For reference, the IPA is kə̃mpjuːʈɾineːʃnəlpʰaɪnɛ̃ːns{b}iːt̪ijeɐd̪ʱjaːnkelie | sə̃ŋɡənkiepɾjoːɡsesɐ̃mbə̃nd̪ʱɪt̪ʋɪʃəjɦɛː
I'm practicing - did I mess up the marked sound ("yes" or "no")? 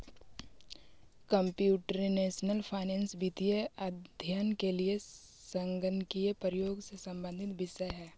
no